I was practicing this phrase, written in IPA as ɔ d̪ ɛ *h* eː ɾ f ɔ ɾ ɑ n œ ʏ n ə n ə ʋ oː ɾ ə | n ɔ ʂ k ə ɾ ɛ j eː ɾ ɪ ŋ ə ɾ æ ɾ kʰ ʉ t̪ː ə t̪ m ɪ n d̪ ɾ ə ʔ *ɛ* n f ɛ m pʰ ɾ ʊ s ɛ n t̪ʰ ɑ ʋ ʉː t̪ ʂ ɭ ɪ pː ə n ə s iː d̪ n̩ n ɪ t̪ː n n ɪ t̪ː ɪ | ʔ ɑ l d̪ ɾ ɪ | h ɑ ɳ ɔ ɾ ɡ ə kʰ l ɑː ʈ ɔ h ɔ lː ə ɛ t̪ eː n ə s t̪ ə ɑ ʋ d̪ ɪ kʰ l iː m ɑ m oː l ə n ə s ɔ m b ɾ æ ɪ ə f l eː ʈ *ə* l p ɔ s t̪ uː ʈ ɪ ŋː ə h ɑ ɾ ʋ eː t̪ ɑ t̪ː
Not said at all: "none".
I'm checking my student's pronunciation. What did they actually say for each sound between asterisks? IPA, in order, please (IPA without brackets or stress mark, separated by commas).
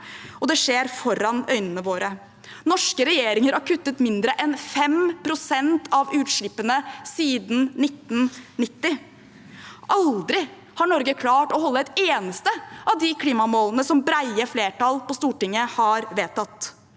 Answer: ʂ, ɛ, ɑ